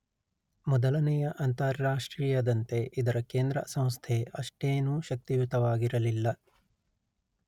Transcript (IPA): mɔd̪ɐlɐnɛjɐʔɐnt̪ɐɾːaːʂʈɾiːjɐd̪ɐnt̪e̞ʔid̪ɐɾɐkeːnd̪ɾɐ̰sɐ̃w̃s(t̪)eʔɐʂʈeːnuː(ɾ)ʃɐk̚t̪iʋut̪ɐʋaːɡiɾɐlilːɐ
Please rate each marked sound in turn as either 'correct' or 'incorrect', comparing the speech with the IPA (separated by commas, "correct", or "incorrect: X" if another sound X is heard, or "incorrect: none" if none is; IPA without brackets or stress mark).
incorrect: t̪ʰ, incorrect: none